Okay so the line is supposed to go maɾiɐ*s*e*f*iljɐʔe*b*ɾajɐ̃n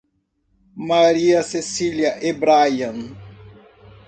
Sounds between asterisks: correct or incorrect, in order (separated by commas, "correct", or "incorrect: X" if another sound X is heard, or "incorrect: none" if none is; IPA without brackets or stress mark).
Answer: correct, incorrect: s, correct